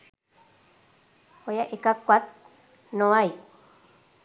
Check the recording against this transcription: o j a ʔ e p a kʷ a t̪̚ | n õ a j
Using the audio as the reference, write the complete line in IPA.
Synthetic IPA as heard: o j a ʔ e k a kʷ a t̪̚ | n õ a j